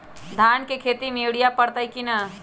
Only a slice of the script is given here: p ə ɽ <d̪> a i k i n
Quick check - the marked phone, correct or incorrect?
incorrect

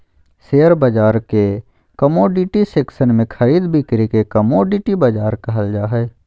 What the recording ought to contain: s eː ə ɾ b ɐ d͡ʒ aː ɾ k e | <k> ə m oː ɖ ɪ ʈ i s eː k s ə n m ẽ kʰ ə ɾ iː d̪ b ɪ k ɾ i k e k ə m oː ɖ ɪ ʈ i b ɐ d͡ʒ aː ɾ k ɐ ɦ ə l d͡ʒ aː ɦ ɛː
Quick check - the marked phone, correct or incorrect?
correct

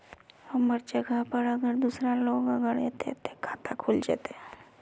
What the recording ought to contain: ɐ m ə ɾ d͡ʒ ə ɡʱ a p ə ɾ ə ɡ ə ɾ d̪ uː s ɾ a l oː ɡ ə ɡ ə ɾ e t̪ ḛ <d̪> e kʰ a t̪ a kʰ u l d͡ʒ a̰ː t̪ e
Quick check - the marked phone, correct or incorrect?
incorrect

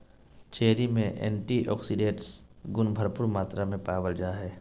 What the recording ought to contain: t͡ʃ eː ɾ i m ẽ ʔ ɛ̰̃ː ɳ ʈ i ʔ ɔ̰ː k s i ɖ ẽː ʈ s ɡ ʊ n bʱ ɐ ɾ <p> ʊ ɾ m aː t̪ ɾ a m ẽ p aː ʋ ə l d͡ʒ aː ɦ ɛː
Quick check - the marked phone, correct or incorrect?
correct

